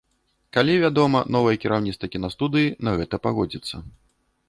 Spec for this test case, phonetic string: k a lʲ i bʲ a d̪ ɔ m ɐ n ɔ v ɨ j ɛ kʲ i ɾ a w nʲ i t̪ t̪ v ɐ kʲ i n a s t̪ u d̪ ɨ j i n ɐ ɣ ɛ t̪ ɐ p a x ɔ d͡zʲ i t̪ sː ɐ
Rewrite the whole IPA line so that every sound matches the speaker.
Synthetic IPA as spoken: k a lʲ i vʲ a d̪ ɔ m ɐ n ɔ v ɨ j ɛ kʲ i ɾ a w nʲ i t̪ t̪ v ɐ kʲ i n a s t̪ u d̪ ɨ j i n ɐ ɣ ɛ t̪ ɐ p a ɣ ɔ d͡zʲ i t̪ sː ɐ